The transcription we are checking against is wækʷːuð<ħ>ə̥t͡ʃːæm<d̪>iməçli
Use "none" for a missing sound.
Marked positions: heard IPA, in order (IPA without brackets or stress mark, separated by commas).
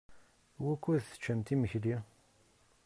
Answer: θ, t̪